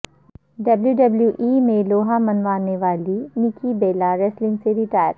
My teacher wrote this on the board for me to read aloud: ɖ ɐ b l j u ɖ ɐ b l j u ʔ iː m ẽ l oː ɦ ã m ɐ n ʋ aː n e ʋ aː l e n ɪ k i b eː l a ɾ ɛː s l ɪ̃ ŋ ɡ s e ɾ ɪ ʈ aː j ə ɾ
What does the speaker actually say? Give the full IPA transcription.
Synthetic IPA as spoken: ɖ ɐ b l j u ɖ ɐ b l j u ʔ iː m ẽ l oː ɦ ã m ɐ n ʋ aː n e ʋ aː l i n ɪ k i b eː l a ɾ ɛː s l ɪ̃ ŋ ɡ s e ɾ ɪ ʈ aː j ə ɾ